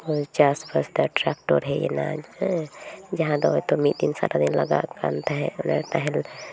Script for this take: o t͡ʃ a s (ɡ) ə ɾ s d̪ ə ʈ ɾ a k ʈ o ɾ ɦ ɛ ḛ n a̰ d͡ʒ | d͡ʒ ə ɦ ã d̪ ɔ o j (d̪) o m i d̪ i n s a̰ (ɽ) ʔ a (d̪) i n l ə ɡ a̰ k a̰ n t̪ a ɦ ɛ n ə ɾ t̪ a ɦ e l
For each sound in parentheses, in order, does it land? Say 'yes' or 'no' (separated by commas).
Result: no, no, no, yes